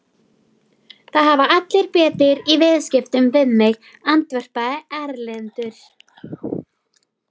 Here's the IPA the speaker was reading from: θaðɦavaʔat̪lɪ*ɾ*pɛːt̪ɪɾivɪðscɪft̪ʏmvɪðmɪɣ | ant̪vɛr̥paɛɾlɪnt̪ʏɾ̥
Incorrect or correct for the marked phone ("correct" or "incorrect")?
correct